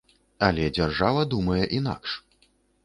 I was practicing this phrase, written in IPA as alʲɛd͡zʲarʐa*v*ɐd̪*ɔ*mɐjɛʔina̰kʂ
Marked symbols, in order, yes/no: yes, no

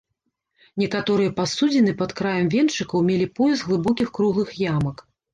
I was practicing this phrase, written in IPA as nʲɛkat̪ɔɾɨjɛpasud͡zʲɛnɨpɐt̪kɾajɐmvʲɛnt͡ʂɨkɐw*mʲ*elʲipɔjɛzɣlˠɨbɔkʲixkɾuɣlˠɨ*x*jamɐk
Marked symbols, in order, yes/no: yes, yes

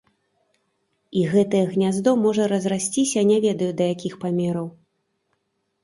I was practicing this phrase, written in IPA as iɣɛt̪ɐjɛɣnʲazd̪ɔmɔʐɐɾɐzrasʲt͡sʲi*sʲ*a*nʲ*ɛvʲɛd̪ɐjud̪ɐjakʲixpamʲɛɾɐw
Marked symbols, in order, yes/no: yes, yes

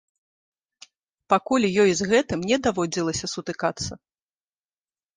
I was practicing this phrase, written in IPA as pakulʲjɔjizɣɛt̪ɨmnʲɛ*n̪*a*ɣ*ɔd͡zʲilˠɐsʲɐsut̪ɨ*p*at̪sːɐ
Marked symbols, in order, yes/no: no, no, no

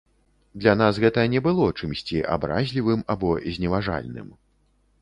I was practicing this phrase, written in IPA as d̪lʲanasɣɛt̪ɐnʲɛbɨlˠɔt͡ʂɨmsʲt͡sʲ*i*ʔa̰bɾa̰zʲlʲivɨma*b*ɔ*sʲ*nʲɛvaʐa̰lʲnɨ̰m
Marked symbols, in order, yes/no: yes, yes, no

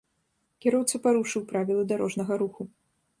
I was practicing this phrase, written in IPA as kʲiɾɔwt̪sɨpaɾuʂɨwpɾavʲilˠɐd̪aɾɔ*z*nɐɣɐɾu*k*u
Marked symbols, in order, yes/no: no, no

